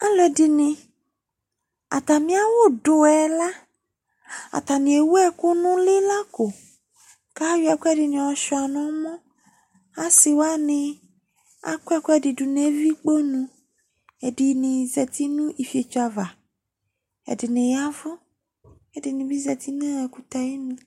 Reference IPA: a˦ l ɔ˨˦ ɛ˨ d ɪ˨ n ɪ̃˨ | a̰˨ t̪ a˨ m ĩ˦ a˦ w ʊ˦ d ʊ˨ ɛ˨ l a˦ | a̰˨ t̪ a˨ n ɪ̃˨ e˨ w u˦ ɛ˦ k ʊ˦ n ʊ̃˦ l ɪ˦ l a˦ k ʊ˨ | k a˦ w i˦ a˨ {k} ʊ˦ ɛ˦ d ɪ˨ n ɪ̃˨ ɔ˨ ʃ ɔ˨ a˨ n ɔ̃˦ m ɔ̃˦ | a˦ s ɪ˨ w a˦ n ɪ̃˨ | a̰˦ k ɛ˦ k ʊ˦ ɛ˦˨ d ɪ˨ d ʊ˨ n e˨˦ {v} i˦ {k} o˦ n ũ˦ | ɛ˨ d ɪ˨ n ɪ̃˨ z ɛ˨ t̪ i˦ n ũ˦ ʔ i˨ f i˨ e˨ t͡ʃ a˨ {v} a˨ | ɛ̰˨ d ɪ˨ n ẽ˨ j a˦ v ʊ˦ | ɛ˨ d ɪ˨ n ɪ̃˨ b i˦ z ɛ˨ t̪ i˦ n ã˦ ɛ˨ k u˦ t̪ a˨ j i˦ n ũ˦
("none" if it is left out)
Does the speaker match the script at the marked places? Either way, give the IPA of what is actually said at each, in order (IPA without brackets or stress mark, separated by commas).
k, v, k͡p, v